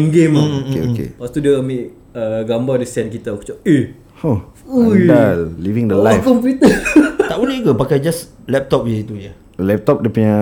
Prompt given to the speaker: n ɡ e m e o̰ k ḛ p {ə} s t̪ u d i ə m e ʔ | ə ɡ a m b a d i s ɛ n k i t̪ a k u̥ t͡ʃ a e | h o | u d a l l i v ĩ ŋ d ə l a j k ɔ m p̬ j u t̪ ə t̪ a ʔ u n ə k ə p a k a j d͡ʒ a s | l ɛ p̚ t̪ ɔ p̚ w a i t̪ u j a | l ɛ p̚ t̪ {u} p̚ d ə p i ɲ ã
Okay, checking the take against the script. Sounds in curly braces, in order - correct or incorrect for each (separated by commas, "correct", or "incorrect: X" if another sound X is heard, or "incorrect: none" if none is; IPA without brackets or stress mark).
incorrect: a, incorrect: ɔ